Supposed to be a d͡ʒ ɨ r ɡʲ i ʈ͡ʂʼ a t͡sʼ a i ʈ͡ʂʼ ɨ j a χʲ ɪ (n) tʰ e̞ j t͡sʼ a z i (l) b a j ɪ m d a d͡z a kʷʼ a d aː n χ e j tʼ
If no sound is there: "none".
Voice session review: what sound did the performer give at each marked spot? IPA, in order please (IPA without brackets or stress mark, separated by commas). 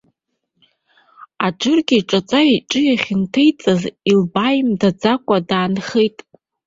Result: n, l